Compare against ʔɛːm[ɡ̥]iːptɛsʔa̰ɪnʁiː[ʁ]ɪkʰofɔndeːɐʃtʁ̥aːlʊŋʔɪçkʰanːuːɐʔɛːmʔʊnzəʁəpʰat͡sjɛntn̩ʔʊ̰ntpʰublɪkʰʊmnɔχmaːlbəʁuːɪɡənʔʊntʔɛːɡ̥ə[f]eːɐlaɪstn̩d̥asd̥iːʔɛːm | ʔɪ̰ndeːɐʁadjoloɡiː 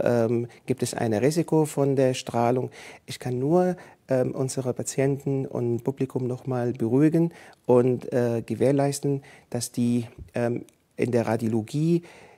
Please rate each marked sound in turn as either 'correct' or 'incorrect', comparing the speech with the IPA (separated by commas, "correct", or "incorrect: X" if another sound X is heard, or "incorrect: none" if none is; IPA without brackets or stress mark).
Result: correct, incorrect: z, incorrect: v